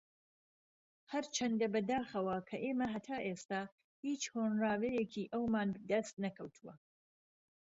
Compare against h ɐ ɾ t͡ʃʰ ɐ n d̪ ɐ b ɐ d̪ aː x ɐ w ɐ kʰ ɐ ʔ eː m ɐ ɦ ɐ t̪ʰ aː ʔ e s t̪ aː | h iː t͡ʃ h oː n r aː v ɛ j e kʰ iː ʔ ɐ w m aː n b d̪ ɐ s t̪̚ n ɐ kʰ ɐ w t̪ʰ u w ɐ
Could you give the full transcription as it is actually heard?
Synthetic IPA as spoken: h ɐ ɾ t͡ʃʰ ɐ n d̪ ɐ b ɐ d̪ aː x ɐ w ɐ kʰ ɐ ʔ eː m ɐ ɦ ɐ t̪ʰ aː ʔ e s t̪ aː | h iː t͡ʃ h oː n r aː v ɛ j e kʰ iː ʔ ɐ w m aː n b d̪ ɐ s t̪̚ n ɐ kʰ ɐ w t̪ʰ u w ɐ